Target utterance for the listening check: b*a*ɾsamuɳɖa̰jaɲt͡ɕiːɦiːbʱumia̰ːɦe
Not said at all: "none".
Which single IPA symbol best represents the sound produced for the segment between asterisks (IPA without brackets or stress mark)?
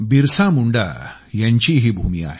i